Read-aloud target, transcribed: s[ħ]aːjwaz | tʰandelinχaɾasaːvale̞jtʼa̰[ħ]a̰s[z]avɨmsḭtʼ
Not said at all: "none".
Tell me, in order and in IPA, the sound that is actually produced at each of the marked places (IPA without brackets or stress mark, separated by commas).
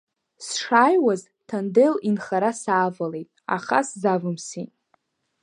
ʂ, χ, z